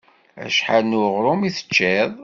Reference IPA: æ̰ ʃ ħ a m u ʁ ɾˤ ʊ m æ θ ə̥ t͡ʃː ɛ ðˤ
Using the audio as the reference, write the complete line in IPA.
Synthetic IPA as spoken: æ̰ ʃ ħ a n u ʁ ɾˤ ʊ m i θ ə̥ t͡ʃː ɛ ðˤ